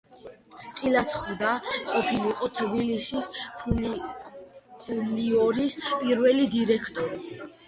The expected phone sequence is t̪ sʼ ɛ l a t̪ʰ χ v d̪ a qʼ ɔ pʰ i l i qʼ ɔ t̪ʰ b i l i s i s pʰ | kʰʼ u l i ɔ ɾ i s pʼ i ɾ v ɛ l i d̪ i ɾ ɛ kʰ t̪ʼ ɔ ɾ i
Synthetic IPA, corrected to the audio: t̪ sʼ i l a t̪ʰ χ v d̪ a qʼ ɔ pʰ i l i qʼ ɔ t̪ʰ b i l i s i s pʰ | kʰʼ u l i ɔ ɾ i s pʼ i ɾ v ɛ l i d̪ i ɾ ɛ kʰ t̪ʼ ɔ ɾ i